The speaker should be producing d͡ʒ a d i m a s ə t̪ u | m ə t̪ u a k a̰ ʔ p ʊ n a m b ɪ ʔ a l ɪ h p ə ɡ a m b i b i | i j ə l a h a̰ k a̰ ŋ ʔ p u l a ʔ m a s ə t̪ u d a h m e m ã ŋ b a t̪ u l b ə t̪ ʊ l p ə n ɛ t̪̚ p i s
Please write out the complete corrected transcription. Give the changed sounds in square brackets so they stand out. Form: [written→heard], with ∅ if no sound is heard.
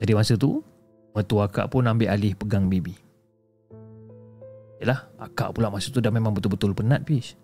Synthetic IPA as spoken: d͡ʒ a d i m a s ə t̪ u | m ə t̪ u a k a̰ ʔ p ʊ n a m b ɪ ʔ a l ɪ h p ə ɡ a [m→ŋ] b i b i | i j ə l a h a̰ k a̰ [ŋ→∅] ʔ p u l a ʔ m a s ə t̪ u d a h m e m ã ŋ b [a→ə] t̪ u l b ə t̪ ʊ l p ə n [ɛ→a] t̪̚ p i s